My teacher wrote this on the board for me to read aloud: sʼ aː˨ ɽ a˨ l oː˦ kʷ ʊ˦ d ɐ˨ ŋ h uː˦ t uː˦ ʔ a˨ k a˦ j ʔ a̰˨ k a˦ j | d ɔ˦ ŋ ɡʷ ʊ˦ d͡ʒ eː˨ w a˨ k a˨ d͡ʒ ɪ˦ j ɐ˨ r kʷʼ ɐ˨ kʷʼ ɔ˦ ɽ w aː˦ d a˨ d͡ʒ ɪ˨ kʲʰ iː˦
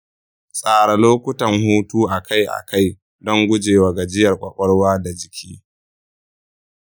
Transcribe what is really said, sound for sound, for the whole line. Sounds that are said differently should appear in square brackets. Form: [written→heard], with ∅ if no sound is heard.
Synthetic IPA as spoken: sʼ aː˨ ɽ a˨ l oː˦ kʷ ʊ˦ [d→t] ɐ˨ ŋ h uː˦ t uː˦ ʔ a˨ k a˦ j ʔ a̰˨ k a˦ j | d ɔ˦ ŋ ɡʷ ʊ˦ d͡ʒ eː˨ w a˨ [k→ɡ] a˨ d͡ʒ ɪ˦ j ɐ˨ r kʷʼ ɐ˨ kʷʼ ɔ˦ ɽ w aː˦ d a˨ d͡ʒ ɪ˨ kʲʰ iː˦